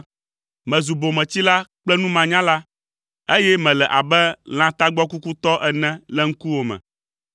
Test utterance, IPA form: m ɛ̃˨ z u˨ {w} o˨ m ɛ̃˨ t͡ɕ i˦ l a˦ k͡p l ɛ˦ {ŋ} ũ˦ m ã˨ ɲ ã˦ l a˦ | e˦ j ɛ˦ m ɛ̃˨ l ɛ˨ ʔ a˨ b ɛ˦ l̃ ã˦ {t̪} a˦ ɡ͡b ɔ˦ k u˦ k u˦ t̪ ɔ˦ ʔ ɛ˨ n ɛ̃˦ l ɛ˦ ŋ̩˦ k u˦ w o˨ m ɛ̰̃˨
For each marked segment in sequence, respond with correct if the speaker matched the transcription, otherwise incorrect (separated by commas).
incorrect, incorrect, correct